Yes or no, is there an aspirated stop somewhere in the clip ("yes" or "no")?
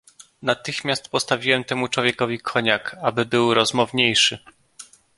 yes